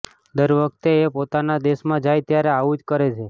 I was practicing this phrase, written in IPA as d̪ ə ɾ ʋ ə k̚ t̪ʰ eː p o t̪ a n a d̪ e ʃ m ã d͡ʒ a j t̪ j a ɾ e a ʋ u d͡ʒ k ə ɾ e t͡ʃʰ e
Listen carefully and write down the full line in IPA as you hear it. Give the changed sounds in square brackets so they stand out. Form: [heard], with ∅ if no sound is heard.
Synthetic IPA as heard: d̪ ə ɾ ʋ ə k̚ [t̪] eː p o t̪ a n a d̪ e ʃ m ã d͡ʒ a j t̪ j a ɾ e a ʋ u d͡ʒ k ə ɾ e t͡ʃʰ e